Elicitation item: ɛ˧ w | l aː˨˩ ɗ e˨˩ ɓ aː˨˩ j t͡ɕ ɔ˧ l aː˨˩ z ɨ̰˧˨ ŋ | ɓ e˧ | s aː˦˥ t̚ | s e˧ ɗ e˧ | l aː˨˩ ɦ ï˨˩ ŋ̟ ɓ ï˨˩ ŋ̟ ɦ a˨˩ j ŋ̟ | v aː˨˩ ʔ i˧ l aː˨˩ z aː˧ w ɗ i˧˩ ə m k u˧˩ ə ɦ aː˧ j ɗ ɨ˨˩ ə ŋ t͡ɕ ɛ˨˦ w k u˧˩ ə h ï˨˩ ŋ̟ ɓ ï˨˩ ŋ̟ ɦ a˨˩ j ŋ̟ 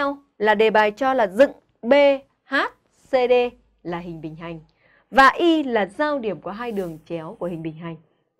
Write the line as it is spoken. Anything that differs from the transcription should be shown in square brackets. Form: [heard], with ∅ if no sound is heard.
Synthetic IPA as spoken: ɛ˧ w | l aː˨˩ ɗ e˨˩ ɓ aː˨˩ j t͡ɕ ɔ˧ l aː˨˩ z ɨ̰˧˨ ŋ | ɓ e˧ | [h] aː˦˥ t̚ | s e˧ ɗ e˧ | l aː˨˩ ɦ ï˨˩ ŋ̟ ɓ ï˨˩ ŋ̟ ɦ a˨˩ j ŋ̟ | v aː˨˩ ʔ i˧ l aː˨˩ z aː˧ w ɗ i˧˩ ə m k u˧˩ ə ɦ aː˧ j ɗ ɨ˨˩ ə ŋ t͡ɕ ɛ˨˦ w k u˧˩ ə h ï˨˩ ŋ̟ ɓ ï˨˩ ŋ̟ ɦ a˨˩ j ŋ̟

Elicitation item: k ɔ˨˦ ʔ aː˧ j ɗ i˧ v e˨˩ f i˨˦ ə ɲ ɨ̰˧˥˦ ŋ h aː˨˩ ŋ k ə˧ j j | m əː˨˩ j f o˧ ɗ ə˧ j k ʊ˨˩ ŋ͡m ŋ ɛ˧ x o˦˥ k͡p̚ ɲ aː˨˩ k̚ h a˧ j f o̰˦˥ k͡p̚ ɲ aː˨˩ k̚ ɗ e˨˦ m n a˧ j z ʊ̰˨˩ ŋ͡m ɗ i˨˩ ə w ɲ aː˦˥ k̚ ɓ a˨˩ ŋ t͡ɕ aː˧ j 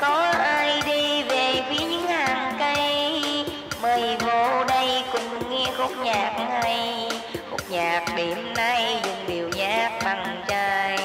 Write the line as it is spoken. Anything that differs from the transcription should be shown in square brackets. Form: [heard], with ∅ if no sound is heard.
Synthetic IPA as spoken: k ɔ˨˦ ʔ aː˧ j ɗ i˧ v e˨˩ f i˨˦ ə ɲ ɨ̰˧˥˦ ŋ h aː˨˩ ŋ k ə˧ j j | m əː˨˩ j [v] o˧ ɗ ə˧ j k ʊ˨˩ ŋ͡m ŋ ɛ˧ x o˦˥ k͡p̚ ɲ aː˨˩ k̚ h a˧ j [x] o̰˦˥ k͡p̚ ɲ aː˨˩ k̚ ɗ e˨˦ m n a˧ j z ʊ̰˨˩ ŋ͡m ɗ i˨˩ ə w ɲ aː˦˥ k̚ ɓ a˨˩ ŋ t͡ɕ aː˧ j

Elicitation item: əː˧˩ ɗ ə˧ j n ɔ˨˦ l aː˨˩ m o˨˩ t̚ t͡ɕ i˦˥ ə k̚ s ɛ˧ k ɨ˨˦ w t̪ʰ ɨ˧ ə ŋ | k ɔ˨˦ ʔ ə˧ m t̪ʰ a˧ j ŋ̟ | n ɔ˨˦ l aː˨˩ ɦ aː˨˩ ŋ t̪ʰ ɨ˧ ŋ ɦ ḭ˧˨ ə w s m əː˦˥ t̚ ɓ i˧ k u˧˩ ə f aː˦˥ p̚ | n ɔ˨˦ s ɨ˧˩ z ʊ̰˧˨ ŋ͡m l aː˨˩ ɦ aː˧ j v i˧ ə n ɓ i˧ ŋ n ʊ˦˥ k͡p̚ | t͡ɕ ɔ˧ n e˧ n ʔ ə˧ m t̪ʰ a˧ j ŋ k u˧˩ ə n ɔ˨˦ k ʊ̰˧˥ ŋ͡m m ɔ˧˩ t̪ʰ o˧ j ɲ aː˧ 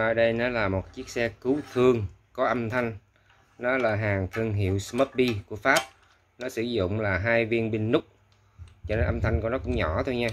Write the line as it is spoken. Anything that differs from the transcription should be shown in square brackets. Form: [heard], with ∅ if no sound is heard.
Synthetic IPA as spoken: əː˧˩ ɗ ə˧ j n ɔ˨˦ l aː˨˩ m o˨˩ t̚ t͡ɕ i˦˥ ə k̚ s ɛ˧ k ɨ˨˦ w t̪ʰ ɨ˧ ə ŋ | k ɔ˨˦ ʔ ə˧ m t̪ʰ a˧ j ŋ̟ | n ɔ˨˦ l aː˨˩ ɦ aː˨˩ ŋ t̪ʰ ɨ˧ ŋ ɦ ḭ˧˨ ə w s m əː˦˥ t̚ ɓ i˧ k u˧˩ ə f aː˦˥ p̚ | n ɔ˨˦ s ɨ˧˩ z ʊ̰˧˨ ŋ͡m l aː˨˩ ɦ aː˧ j v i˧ ə n ɓ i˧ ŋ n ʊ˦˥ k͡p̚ | t͡ɕ ɔ˧ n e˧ n ʔ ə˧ m t̪ʰ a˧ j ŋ k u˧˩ ə n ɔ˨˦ k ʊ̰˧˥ ŋ͡m [ɲ] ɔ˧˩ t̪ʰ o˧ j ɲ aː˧

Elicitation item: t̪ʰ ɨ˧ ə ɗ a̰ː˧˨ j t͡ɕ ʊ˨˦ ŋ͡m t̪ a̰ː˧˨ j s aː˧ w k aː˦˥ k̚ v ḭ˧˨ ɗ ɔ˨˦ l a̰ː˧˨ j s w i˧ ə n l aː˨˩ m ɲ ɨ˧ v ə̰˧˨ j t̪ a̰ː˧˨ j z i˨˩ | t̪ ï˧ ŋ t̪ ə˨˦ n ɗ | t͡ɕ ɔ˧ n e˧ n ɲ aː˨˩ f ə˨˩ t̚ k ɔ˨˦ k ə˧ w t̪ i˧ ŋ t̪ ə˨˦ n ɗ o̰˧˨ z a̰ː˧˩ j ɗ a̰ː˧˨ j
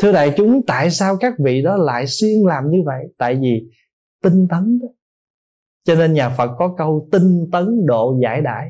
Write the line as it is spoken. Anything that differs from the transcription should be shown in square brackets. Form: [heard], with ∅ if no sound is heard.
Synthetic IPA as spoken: t̪ʰ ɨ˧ ə ɗ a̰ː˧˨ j t͡ɕ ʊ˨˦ ŋ͡m t̪ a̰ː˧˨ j s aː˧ w k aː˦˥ k̚ v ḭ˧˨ ɗ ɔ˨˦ l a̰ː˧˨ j s w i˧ ə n l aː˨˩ m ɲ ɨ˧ v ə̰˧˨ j t̪ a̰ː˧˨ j [v] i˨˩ | t̪ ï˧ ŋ t̪ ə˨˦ n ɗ | t͡ɕ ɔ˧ n e˧ n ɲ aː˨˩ f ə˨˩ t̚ k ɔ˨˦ k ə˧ w t̪ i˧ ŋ t̪ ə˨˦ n ɗ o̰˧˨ z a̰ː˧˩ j ɗ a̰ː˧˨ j

